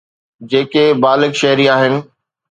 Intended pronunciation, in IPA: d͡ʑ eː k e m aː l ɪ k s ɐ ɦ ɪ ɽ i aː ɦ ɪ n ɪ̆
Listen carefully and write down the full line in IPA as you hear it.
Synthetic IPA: d͡ʑ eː k e b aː l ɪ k ʃ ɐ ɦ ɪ ɾ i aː ɦ ɪ n ɪ̆